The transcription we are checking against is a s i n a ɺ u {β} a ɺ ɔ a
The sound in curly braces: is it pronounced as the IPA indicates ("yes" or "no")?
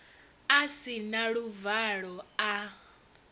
no